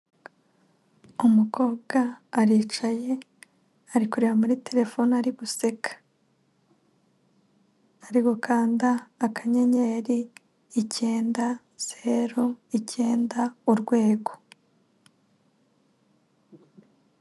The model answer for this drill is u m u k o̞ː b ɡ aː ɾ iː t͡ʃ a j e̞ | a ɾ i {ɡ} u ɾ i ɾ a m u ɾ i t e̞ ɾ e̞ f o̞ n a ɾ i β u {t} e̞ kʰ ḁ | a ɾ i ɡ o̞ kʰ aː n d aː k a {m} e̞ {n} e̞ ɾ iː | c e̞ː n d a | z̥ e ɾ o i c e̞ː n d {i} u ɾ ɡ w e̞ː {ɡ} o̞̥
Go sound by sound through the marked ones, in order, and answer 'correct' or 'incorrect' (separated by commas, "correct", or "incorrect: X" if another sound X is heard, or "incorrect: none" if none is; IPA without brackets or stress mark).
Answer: incorrect: k, incorrect: s, incorrect: ɲ, incorrect: ɲ, incorrect: a, correct